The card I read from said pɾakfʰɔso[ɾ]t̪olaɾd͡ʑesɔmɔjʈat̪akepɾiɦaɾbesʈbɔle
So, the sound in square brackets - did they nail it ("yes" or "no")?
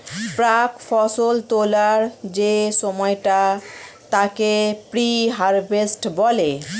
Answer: no